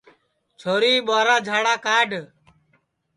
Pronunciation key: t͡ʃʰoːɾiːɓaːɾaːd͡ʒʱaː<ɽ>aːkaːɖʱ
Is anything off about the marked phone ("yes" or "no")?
no